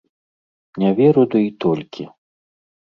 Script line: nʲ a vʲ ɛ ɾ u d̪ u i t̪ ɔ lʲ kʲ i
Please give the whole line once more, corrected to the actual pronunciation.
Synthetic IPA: nʲ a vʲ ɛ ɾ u d̪ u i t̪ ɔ lʲ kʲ i